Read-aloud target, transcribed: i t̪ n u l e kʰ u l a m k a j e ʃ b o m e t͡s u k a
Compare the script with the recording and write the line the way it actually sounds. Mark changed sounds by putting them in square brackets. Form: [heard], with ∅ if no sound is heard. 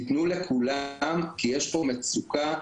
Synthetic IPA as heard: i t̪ n u l e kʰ u l a m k [i] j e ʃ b o m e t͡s u k a